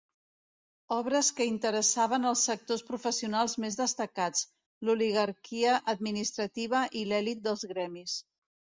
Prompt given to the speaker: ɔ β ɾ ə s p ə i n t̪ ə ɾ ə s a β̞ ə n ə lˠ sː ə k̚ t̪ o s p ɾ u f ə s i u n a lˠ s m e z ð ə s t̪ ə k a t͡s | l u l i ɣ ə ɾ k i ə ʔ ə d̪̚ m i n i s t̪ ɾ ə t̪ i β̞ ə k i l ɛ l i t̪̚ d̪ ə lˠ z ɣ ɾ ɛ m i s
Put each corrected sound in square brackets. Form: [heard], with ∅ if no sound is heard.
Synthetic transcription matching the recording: ɔ β ɾ ə s [k] ə i n t̪ ə ɾ ə s a β̞ ə n ə lˠ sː ə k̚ t̪ o s p ɾ u f ə s i u n a lˠ [z] m e z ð ə s t̪ ə k a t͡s | l u l i ɣ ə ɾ k i ə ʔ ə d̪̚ m i n i s t̪ ɾ ə t̪ i β̞ ə [ʔ] i l ɛ l i t̪̚ d̪ ə lˠ z ɣ ɾ ɛ m i s